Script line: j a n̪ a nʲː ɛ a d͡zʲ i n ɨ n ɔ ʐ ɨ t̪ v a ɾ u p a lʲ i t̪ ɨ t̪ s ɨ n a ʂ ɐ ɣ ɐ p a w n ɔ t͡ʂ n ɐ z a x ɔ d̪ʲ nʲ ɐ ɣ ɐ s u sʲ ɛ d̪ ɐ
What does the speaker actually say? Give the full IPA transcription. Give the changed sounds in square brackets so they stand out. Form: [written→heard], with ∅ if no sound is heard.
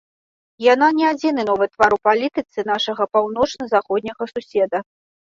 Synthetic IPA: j a n̪ a [nʲː→nʲ] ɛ a d͡zʲ i n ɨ n ɔ [ʐ→v] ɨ t̪ v a ɾ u p a lʲ i t̪ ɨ t̪ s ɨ n a ʂ ɐ ɣ ɐ p a w n ɔ t͡ʂ n ɐ z a x ɔ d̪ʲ nʲ ɐ ɣ ɐ s u sʲ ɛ d̪ ɐ